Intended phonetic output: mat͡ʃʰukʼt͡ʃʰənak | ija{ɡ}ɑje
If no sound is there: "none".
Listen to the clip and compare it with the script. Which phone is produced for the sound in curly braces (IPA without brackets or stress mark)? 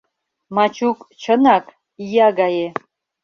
ɡ